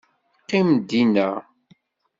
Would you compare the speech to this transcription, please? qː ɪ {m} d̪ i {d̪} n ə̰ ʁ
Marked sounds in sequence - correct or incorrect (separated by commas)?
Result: correct, incorrect